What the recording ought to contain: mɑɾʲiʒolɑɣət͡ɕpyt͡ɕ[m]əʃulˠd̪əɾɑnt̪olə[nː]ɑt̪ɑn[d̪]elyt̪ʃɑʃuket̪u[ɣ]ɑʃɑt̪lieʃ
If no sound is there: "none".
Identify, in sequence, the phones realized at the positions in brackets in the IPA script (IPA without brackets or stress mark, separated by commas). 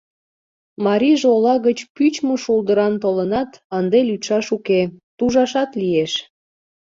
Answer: m, n, d̪, ʒ